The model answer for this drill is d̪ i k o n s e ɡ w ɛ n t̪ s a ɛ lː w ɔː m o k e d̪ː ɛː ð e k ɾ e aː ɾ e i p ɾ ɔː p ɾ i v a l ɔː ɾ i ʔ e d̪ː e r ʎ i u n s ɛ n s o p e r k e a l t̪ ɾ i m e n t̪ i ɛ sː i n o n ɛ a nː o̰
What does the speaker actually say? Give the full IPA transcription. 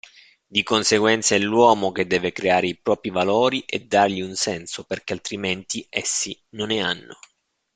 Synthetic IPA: d̪ i k o n s e ɡ w ɛ n t̪ s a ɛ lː w ɔː m o k e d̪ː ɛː v e k ɾ e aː ɾ e i p ɾ ɔː p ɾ i v a l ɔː ɾ i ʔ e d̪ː a r ʎ i u n s ɛ n s o p e r k e a l t̪ ɾ i m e n t̪ i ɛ sː i n o n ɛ a nː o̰

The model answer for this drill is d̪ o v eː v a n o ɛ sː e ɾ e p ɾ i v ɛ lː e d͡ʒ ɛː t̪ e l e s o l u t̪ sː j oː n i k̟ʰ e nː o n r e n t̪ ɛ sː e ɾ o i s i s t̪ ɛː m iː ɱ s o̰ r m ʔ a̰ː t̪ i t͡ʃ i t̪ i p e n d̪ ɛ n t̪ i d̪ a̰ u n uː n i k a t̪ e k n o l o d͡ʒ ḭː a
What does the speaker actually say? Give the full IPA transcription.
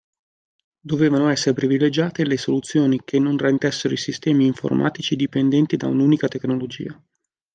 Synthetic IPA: d̪ o v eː v a n o ɛ sː e ɾ e p ɾ i v i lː e d͡ʒ aː t̪ e l e s o l u t̪ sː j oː n i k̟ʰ e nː o n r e n t̪ ɛ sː e ɾ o i s i s t̪ ɛː m iː ɱ f o̰ r m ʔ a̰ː t̪ i t͡ʃ i d̪ i p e n d̪ ɛ n t̪ i d̪ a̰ u n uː n i k a t̪ e k n o l o d͡ʒ ḭː a

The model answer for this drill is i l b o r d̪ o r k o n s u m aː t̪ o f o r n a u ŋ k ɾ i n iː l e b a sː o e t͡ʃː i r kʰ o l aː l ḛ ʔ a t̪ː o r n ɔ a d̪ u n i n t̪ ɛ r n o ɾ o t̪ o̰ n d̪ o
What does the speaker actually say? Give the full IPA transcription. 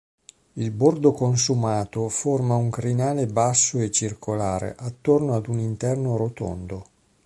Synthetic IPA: i l b o r d̪ o k o n s u m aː t̪ o f o r m a u ŋ k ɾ i n aː l e b a sː o e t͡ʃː i r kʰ o l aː ɾ ḛ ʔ a t̪ː o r n o a d̪ u n i n t̪ ɛ r n o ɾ o t̪ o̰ n d̪ o

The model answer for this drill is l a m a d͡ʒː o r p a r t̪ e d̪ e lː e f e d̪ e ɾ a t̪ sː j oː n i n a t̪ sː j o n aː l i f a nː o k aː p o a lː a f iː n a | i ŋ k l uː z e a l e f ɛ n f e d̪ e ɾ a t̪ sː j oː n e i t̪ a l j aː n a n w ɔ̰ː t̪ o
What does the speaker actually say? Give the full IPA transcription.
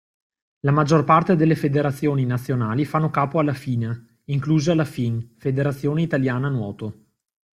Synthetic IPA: l a m a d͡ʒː o r p a r t̪ e d̪ e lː e f e d̪ e ɾ a t̪ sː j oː n i n a t̪ sː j o n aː l i f a nː o k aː p o a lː a f iː n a | i ŋ k l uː z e a l a f i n f e d̪ e ɾ a t̪ sː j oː n e i t̪ a l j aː n a n w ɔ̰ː t̪ o

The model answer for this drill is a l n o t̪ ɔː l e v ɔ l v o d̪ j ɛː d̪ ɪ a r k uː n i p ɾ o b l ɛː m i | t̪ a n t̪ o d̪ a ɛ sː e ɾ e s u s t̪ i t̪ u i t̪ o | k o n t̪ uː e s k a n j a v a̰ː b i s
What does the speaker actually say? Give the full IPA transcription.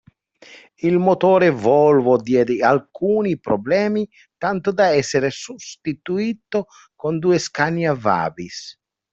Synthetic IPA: i l m o t̪ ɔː ɾ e v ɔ l v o d̪ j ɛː d̪ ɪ a l k uː n i p ɾ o b l ɛː m i | t̪ a n t̪ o d̪ a ɛ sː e ɾ e s u s t̪ i t̪ u i t̪ o | k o n d̪ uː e s k a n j a v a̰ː b i s

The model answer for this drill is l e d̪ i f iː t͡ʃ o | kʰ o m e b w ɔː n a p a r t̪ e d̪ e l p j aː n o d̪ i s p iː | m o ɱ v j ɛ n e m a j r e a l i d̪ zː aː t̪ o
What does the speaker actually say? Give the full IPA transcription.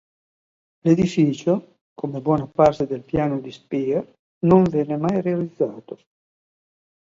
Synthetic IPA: l e d̪ i f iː t͡ʃ o | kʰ o m e b w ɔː n a p a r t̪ e d̪ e l p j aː n o d̪ i s p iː | n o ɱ v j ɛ n e m a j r e a l i d̪ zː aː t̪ o

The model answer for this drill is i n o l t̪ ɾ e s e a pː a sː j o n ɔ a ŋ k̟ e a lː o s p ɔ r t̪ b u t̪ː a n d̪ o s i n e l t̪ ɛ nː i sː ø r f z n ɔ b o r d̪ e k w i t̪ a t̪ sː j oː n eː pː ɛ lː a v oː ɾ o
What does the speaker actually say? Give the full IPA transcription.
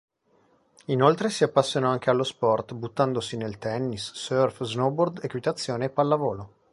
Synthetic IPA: i n o l t̪ ɾ e s i a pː a sː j o n ɔ a ŋ k̟ e a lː o s p ɔ r t̪ b u t̪ː a n d̪ o s i n e l t̪ ɛ nː i sː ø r f z n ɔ b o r d̪ e k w i t̪ a t̪ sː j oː n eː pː a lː a v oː l o

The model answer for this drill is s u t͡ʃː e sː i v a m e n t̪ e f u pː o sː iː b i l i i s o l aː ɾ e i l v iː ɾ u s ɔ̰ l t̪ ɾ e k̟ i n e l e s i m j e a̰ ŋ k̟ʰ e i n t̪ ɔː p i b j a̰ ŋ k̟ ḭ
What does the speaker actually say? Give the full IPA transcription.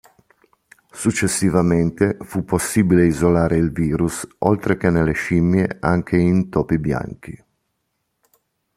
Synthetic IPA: s u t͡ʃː e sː i v a m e n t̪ e f u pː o sː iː b i l e i z o l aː ɾ e i l v iː ɾ u s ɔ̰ l t̪ ɾ e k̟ e n e l e ʃ i m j e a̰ ŋ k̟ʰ e i n t̪ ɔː p i b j a̰ ŋ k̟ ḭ

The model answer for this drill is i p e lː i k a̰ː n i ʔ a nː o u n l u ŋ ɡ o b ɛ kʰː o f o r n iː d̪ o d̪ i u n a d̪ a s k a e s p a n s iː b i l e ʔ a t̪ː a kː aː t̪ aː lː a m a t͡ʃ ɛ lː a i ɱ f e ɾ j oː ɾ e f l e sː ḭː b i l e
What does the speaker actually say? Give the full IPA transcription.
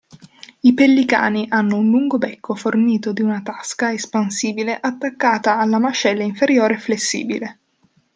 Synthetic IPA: i p e lː i k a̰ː n i ʔ a nː o u n l u ŋ ɡ o b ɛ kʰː o f o r n iː t̪ o d̪ i u n a t̪ a s k a e s p a n s iː b i l e ʔ a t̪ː a kː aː t̪ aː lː a m a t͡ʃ ɛ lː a i ɱ f e ɾ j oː ɾ e f l e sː ḭː b i l e

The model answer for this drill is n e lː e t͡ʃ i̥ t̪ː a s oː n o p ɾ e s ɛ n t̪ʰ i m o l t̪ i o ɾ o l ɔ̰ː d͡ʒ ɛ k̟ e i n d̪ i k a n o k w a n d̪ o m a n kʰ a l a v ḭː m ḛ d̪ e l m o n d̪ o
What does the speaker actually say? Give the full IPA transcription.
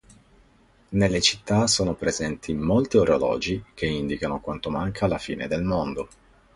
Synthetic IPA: n e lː e t͡ʃ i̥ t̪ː a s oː n o p ɾ e z ɛ n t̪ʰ i m o l t̪ i o ɾ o l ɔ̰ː d͡ʒ i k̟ e i n d̪ i k a n o k w a n t̪ o m a ŋ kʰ a l a f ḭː n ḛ d̪ e l m o n d̪ o

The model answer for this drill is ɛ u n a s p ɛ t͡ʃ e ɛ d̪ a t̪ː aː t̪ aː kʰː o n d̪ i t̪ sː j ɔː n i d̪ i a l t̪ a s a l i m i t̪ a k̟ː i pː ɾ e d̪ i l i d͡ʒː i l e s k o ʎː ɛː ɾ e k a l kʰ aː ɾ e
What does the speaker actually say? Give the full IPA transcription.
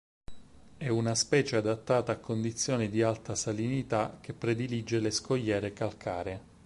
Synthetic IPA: ɛ u n a s p ɛː t͡ʃ e a d̪ a t̪ː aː t̪ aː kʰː o n d̪ i t̪ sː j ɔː n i d̪ i a l t̪ a s a l i n i t̪ a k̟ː e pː ɾ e d̪ i l i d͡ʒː e l e s k o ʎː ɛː ɾ e k a l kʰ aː ɾ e

